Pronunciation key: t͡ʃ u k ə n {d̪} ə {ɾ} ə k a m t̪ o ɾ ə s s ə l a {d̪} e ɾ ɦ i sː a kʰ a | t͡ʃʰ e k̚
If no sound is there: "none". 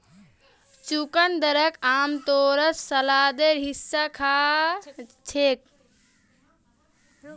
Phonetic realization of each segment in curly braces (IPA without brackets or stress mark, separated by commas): d̪, ɾ, d̪